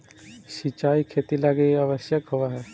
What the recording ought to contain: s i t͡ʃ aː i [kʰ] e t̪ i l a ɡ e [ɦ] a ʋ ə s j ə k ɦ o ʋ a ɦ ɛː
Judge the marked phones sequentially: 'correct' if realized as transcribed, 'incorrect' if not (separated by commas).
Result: correct, incorrect